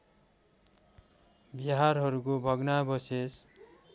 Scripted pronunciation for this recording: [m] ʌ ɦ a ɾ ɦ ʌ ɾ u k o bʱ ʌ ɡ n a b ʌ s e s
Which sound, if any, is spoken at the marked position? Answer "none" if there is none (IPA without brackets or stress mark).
b